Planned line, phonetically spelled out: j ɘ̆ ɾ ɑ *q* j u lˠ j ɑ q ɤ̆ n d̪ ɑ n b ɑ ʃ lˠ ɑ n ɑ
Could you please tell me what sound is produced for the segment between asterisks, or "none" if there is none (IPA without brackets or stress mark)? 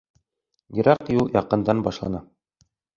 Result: q